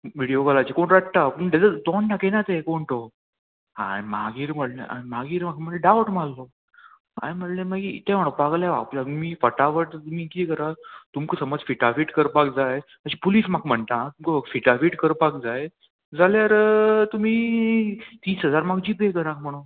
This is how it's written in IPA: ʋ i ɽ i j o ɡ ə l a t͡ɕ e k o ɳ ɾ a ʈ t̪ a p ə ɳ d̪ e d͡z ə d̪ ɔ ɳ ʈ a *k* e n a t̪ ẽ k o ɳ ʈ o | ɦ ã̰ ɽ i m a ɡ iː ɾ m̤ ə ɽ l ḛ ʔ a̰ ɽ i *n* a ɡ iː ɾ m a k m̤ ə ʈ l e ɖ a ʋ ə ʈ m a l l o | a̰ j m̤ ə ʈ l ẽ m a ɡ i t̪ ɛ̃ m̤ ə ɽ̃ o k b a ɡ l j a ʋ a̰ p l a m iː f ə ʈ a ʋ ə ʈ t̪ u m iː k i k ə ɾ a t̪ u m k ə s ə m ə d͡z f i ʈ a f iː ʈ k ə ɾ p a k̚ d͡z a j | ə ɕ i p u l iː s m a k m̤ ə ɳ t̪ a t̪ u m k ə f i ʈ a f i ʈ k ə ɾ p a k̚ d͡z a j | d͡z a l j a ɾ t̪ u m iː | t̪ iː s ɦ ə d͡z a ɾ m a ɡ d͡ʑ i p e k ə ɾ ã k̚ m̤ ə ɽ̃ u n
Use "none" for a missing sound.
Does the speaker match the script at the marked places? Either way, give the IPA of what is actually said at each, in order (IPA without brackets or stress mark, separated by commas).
k, m